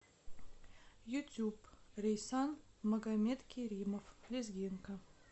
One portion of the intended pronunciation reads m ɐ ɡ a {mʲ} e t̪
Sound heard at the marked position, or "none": mʲ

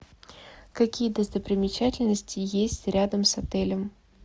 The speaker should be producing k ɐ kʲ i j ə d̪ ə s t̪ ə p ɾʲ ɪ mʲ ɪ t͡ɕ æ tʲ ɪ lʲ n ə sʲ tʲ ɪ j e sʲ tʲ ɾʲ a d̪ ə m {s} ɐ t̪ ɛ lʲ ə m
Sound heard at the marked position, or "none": s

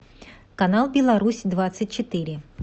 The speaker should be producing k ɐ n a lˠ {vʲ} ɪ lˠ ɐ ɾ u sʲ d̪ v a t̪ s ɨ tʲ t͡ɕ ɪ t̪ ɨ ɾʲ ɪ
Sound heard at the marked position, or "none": bʲ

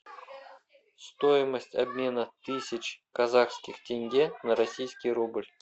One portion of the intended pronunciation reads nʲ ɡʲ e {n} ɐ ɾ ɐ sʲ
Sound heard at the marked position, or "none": n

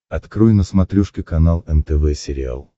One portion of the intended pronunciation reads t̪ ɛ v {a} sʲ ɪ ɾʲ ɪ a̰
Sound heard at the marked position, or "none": ɛ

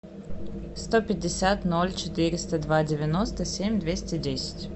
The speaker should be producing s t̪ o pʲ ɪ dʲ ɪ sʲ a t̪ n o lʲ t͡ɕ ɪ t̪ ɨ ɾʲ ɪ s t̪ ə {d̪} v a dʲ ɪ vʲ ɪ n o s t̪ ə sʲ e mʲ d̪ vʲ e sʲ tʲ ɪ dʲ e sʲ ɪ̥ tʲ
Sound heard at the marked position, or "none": d̪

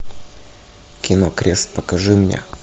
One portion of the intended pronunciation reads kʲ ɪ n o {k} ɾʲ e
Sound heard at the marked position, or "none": k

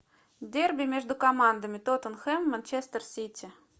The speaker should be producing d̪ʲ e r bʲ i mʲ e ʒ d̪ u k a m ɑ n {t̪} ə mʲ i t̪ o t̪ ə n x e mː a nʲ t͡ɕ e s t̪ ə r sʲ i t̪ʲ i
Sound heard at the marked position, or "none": d̪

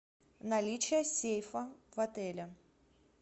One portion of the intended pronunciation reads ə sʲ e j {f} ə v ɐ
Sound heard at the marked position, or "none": f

